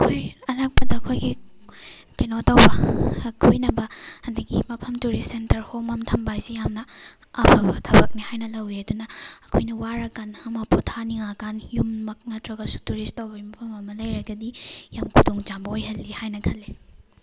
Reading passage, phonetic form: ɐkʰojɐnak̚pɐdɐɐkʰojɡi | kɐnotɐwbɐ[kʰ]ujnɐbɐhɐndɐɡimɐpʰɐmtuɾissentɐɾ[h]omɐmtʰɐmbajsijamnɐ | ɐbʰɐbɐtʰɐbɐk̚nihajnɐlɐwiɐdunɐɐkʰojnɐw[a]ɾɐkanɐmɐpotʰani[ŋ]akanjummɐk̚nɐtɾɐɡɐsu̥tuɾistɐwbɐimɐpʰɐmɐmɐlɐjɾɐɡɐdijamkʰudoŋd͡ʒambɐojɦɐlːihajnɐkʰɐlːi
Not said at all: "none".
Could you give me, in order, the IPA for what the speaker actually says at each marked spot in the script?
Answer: kʰ, h, a, ŋ

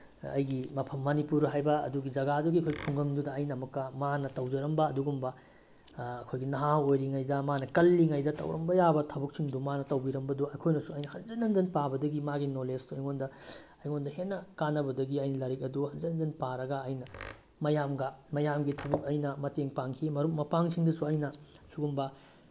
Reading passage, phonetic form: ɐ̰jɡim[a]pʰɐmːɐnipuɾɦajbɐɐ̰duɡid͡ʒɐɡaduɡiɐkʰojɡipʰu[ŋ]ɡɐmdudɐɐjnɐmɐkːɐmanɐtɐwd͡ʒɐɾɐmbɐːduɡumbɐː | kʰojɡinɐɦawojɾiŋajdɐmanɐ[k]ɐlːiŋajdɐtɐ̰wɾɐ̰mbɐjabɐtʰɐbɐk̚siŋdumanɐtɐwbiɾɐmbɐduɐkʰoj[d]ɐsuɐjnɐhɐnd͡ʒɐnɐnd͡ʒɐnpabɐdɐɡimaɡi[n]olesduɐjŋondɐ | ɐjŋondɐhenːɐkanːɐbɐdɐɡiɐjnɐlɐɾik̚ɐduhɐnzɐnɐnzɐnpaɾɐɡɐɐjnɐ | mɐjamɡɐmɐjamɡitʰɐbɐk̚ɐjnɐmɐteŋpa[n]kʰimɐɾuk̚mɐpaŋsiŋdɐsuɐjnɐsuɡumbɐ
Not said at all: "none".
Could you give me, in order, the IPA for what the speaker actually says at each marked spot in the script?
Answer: ɐ, ŋ, k, n, n, ŋ

